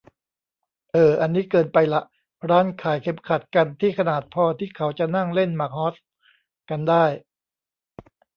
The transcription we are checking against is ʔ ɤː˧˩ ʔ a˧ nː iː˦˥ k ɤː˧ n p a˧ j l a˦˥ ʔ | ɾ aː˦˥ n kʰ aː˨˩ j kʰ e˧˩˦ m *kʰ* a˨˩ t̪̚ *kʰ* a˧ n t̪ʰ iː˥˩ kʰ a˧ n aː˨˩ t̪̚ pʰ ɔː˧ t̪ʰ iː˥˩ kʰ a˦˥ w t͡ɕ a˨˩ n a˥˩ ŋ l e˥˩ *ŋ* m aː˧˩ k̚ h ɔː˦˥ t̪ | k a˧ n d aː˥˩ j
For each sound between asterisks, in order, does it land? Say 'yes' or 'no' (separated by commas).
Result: yes, no, no